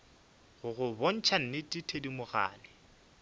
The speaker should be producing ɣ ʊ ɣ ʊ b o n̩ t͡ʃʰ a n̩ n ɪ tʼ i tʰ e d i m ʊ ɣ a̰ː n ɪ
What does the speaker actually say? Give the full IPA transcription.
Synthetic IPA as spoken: ɣ ʊ ɣ ʊ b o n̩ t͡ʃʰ a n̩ n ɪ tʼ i tʰ e d i m ʊ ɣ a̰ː n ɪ